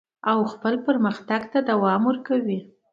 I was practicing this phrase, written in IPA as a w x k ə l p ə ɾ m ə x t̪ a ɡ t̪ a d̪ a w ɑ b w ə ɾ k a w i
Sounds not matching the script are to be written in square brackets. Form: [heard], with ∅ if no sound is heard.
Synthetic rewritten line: a w x [p] ə l p ə ɾ m ə x t̪ a ɡ t̪ a d̪ a w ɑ [m] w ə ɾ k a w i